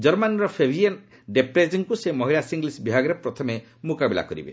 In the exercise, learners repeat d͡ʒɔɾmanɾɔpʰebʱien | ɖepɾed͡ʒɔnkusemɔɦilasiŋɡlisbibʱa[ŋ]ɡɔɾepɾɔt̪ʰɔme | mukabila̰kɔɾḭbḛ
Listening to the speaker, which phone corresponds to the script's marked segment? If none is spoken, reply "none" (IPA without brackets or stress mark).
none